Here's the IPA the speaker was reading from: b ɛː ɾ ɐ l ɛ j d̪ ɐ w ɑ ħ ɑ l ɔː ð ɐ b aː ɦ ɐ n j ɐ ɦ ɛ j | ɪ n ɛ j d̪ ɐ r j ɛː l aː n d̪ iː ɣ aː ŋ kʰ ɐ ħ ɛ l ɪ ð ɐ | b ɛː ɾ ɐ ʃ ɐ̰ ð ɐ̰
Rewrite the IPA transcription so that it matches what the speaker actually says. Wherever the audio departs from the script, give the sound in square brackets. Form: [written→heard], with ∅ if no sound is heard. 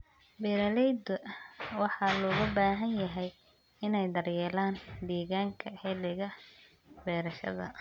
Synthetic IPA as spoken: b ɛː ɾ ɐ l ɛ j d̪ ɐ w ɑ ħ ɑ l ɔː [ð→ɣ] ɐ b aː ɦ ɐ n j ɐ ɦ ɛ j | ɪ n ɛ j d̪ ɐ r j ɛː l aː n d̪ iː ɣ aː ŋ kʰ ɐ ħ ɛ l ɪ [ð→ɣ] ɐ | b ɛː ɾ ɐ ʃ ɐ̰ ð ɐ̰